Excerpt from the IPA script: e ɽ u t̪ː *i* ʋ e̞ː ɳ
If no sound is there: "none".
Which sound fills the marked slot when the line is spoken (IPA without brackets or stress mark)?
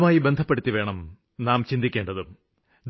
i